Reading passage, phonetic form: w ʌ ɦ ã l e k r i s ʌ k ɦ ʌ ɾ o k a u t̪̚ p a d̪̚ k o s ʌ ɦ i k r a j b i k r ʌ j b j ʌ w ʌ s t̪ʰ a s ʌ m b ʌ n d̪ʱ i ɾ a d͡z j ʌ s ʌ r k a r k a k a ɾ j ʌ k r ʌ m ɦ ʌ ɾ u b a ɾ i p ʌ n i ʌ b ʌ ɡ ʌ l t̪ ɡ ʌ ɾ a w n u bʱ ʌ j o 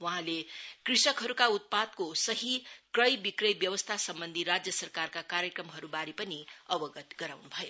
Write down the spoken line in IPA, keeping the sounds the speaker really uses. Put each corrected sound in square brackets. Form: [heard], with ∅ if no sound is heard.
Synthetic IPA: w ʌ ɦ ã l e k r i s ʌ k ɦ ʌ ɾ [u] k a u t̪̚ p a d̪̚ k o s ʌ ɦ i k r [ʌ] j b i k r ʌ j b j ʌ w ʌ s t̪ʰ a s ʌ m b ʌ n d̪ʱ i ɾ a d͡z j ʌ s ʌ r k a r k a k a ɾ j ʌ k r ʌ m ɦ ʌ ɾ u b a ɾ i p ʌ n i ʌ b ʌ ɡ ʌ [∅] t̪ ɡ ʌ ɾ a w n u bʱ ʌ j o